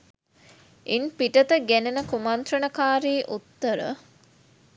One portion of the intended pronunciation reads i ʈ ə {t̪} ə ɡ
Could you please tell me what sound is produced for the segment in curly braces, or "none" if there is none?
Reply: t̪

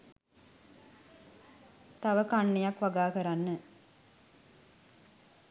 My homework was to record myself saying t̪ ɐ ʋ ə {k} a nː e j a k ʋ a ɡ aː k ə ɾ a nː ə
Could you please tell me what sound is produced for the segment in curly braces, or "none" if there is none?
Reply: k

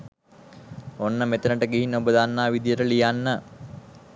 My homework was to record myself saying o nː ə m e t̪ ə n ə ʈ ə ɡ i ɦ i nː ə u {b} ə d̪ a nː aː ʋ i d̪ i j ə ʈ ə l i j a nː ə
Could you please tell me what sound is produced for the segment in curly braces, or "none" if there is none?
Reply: b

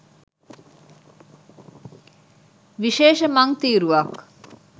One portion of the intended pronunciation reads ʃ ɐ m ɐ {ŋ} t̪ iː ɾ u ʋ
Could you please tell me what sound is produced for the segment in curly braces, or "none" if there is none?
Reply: ŋ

